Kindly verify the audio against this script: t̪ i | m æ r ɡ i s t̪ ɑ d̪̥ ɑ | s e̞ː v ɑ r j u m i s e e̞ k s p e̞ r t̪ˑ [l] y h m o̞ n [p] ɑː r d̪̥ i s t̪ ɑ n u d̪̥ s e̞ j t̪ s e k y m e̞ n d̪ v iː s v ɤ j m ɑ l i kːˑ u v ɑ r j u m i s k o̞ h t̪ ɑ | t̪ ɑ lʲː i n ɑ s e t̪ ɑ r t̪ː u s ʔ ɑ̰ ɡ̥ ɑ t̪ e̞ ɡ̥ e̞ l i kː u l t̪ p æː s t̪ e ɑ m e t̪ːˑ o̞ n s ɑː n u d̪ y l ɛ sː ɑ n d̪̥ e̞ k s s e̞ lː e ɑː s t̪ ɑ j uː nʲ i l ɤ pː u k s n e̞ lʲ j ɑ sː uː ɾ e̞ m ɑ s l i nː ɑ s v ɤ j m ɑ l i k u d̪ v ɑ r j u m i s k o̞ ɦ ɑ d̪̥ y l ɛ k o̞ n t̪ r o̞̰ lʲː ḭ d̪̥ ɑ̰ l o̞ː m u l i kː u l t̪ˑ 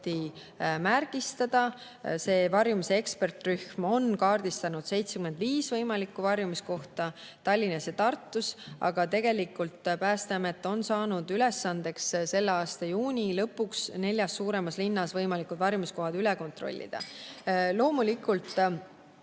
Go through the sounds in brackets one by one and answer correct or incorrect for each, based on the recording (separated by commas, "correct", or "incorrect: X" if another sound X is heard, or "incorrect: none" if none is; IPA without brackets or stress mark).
incorrect: r, incorrect: k